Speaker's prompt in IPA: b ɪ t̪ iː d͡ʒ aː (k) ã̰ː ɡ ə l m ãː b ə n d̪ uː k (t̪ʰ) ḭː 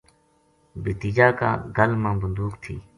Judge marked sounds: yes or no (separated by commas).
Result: yes, yes